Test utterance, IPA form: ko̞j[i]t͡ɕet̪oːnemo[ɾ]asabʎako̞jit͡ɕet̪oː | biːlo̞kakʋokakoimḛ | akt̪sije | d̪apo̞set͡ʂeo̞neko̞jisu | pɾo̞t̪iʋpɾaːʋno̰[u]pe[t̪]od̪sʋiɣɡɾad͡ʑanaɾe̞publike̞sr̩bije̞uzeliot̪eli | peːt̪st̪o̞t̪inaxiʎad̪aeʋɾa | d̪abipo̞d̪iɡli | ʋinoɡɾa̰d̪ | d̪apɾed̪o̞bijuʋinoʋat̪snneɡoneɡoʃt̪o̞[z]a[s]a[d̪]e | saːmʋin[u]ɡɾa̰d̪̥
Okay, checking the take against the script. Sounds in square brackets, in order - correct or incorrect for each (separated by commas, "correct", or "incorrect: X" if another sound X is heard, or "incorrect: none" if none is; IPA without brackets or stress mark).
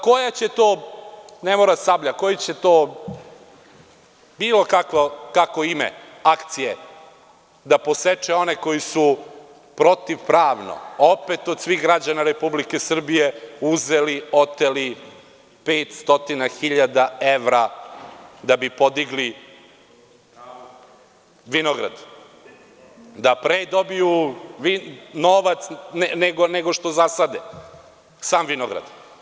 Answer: incorrect: a, correct, incorrect: o, correct, correct, correct, correct, incorrect: o